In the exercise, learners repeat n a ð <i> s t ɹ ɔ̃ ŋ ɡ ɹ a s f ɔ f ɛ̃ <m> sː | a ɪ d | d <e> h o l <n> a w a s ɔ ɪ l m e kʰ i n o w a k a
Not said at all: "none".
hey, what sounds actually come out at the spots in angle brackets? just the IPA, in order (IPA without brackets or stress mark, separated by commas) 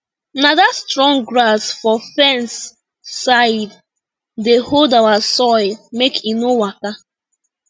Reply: a, n, e, d